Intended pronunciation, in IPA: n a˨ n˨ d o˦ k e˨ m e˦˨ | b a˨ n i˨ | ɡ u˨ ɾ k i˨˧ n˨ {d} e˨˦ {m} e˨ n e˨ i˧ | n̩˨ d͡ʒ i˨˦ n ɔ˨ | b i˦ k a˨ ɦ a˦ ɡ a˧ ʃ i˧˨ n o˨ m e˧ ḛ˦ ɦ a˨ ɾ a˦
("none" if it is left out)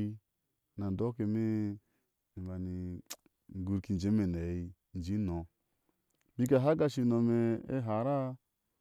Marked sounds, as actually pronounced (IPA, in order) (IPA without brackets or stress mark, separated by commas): d͡ʒ, m